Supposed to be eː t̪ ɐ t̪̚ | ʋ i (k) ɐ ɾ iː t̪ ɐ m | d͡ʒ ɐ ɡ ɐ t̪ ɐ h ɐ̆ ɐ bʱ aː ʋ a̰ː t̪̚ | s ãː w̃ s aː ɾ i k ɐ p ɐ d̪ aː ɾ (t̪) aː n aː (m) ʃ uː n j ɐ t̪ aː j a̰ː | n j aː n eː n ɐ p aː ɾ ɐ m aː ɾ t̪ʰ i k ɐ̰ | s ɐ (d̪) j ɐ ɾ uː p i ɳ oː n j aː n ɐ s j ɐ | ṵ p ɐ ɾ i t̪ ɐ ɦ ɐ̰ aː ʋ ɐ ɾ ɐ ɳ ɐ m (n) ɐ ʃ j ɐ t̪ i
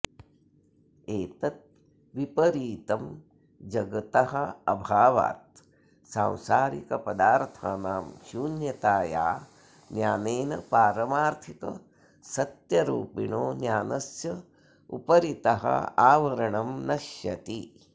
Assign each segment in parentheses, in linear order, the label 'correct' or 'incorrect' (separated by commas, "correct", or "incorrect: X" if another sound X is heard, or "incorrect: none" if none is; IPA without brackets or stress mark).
incorrect: p, incorrect: t̪ʰ, correct, incorrect: t̪, correct